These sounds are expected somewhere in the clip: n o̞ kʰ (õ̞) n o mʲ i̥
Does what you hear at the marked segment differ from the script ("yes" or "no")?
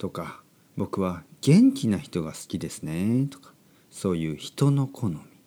yes